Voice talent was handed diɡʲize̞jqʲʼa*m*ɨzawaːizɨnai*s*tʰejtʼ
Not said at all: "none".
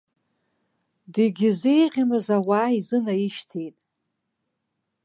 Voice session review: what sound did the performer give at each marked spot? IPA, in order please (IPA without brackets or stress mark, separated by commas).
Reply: m, ʃ